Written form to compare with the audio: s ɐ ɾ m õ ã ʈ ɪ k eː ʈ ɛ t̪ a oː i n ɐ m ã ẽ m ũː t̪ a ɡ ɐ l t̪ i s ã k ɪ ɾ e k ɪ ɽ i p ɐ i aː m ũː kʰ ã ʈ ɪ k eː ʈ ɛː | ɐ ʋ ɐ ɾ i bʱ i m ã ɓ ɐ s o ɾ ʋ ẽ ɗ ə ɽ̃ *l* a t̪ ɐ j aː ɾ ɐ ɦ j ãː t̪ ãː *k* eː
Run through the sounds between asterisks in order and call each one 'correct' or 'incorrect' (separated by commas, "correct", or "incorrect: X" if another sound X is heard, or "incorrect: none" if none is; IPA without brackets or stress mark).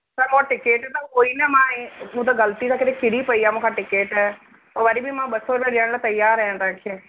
correct, incorrect: kʰ